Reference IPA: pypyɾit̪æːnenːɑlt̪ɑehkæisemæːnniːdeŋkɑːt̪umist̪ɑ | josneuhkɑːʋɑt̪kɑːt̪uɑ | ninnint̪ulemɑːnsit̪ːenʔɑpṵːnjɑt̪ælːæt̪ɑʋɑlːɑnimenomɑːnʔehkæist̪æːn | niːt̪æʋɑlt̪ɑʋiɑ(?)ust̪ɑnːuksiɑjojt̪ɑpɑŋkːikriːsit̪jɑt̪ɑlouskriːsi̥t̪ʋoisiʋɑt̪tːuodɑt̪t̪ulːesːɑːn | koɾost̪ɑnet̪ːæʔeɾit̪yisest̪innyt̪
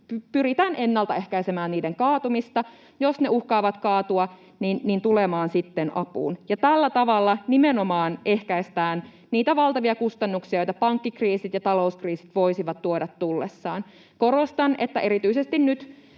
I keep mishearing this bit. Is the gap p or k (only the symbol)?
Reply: k